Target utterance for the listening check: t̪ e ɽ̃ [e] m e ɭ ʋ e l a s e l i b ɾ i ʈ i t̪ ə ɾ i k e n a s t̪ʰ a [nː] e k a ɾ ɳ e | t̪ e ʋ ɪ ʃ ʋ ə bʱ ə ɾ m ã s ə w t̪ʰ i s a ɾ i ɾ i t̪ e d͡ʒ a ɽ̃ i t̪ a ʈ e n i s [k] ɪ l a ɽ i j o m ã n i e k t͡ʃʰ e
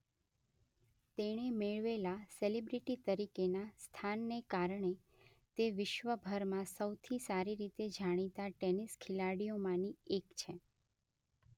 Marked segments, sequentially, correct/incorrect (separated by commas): correct, correct, incorrect